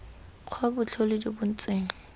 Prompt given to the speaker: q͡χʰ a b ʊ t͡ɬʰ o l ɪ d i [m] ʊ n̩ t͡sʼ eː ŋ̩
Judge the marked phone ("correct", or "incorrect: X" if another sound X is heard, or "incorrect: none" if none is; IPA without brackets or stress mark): incorrect: b